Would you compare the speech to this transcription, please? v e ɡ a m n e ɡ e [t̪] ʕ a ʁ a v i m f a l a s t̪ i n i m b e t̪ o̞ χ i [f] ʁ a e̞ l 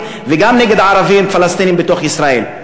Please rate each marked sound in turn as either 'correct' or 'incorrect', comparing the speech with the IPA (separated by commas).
incorrect, incorrect